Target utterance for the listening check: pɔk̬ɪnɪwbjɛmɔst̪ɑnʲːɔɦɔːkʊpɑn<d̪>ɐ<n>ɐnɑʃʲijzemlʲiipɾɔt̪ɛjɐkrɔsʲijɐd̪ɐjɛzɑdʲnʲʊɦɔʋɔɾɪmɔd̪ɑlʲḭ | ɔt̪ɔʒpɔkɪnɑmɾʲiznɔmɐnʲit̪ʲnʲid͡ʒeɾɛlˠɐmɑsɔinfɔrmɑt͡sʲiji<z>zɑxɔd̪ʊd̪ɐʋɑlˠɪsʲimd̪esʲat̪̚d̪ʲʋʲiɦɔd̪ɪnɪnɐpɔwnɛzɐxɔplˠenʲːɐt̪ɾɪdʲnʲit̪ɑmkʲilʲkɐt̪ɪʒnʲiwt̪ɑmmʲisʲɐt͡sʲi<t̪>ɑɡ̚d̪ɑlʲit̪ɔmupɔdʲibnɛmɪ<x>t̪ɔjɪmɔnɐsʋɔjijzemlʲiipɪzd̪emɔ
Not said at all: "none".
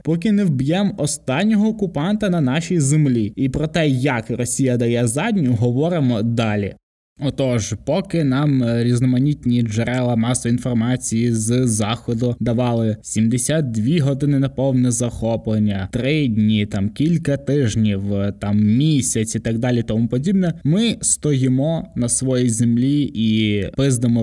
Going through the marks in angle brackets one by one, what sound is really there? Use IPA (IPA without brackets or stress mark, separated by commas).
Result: t̪, n, z, t̪, s